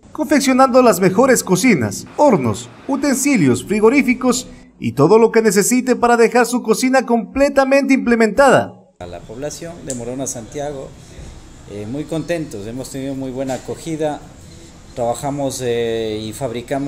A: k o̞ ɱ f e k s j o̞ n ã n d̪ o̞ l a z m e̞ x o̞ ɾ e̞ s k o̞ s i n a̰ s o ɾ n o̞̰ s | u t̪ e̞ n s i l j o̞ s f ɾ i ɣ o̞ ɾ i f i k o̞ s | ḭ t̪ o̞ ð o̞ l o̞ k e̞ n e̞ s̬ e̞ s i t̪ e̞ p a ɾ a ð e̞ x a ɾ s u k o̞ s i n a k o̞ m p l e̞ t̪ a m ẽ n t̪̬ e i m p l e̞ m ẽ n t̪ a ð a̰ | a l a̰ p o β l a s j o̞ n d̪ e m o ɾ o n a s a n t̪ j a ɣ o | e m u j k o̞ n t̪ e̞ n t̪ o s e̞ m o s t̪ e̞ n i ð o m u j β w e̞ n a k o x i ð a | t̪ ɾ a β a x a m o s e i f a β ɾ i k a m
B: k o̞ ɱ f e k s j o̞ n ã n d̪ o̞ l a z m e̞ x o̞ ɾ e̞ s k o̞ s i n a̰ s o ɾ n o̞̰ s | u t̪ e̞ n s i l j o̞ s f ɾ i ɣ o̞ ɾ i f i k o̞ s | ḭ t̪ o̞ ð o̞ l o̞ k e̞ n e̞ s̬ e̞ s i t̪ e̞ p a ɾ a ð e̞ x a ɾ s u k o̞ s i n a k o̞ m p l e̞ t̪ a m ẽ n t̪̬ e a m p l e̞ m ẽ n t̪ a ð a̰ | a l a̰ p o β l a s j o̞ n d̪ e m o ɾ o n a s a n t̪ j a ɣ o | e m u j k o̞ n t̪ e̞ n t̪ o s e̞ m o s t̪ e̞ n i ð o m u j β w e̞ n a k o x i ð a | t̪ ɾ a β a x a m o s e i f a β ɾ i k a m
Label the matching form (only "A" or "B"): A